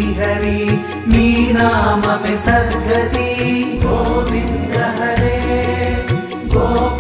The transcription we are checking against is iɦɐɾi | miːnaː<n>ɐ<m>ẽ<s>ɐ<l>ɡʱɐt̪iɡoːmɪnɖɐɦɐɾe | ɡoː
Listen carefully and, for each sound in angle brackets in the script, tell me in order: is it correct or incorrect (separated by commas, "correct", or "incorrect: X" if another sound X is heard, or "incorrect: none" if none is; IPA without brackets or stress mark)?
incorrect: m, correct, correct, incorrect: ɾ